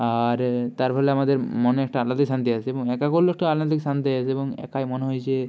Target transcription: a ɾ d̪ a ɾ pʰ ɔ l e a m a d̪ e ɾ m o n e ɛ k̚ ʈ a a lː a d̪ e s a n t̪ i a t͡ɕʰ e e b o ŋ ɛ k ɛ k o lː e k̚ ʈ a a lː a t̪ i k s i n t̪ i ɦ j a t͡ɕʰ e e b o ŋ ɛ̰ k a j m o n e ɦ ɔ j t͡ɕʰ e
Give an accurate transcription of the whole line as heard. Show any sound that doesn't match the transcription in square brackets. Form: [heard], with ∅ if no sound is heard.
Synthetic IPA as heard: a ɾ [t̪] a ɾ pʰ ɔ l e a m a d̪ e ɾ m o n e ɛ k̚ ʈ a a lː a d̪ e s a n t̪ i a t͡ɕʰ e e b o ŋ ɛ k [a] k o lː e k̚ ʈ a a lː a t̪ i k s [a] n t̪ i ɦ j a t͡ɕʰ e e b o ŋ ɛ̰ k a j m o n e ɦ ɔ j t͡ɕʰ e